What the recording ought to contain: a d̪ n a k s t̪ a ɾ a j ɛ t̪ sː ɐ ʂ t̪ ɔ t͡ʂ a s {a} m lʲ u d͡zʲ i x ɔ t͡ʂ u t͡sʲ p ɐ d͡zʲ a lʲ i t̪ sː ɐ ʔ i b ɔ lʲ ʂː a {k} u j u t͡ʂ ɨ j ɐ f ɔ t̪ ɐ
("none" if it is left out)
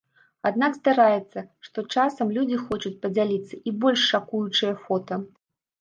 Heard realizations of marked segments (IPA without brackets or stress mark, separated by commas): ɐ, k